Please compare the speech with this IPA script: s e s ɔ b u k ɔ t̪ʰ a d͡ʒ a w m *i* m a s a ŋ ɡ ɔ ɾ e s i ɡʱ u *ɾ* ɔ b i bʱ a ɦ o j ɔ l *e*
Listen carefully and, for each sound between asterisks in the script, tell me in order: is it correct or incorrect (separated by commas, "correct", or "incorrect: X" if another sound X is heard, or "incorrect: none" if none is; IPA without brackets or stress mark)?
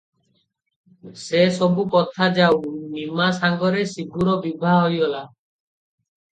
correct, correct, incorrect: a